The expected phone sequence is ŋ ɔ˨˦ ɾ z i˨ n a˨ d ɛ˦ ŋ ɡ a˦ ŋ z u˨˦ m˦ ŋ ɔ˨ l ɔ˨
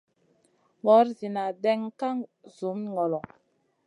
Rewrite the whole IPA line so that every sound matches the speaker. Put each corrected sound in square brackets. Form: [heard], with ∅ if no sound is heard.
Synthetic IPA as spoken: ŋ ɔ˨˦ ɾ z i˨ n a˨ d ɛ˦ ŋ [k] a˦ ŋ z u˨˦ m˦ ŋ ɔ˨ l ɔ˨